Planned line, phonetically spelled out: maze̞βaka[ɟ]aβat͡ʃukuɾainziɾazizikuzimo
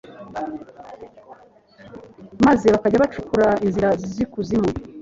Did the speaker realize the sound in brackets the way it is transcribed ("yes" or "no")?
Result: yes